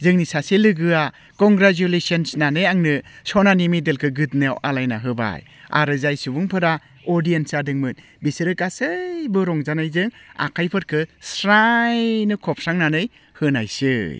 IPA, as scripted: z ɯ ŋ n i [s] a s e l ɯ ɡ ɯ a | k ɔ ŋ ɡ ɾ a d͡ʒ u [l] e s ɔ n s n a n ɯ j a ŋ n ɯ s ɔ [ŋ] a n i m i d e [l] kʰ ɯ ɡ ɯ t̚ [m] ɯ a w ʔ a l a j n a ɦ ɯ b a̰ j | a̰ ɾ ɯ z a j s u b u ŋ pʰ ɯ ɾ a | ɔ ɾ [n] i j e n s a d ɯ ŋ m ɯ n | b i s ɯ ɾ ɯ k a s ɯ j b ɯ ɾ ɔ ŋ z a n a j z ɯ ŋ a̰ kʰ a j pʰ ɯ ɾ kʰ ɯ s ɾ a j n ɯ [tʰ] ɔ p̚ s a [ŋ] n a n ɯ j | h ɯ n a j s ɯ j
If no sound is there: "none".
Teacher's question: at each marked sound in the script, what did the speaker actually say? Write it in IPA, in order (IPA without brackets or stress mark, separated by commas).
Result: s, l, n, l, n, d, kʰ, ŋ